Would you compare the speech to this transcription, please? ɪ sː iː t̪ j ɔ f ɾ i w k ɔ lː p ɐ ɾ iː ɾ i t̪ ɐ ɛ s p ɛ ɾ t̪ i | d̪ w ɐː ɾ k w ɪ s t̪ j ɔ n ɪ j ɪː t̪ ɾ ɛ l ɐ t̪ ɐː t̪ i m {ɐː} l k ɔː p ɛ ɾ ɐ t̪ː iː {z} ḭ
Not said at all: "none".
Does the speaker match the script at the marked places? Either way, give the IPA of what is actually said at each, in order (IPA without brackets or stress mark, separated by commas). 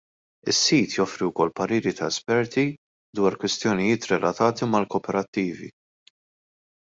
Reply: ɐ, v